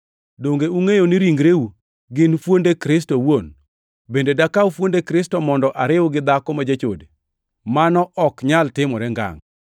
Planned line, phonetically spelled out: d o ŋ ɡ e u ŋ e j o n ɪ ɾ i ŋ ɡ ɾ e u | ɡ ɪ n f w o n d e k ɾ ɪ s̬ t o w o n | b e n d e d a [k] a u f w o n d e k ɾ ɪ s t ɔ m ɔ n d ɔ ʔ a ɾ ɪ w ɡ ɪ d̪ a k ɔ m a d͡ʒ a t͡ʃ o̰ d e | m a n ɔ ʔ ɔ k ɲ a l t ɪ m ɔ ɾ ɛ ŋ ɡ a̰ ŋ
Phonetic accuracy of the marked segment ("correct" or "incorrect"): correct